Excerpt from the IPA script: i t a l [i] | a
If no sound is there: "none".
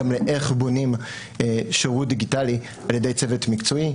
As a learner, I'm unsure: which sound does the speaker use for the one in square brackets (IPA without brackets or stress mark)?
i